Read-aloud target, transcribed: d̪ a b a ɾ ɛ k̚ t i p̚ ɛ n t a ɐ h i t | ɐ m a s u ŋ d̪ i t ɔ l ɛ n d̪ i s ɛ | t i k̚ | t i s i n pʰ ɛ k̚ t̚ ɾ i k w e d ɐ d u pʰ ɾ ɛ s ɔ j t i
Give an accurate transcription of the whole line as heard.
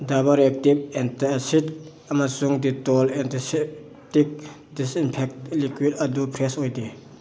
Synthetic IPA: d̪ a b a ɾ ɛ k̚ t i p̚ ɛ n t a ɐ s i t | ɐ m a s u ŋ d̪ i t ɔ l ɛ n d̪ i s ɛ | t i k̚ | d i s i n pʰ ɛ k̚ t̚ l i k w i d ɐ d u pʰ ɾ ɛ s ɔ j d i

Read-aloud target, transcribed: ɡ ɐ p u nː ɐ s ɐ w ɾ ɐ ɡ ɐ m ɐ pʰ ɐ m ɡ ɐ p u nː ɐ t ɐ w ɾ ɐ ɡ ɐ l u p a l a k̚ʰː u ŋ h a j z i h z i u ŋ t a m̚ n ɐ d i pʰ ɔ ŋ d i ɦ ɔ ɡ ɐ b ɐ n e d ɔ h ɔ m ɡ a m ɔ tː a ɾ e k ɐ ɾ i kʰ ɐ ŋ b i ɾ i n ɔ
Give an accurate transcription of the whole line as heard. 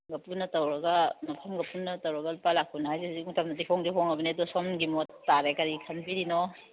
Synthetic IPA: ɡ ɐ p u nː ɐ t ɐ w ɾ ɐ ɡ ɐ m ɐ pʰ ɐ m ɡ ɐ p u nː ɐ t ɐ w ɾ ɐ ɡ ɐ l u p a l a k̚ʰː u n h a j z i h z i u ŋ t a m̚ n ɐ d i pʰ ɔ ŋ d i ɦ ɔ ŋ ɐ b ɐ n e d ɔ s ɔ m ɡ i m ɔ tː a ɾ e k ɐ ɾ i kʰ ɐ n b i ɾ i n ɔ

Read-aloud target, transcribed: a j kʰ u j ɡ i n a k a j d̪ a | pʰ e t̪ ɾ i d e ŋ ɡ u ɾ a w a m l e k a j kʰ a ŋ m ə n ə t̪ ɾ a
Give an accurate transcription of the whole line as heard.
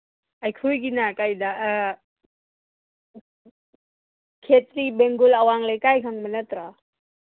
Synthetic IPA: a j kʰ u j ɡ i n a k a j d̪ a | kʰ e t̪ ɾ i b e ŋ ɡ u l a w a ŋ l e k a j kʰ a ŋ m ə n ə t̪ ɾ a

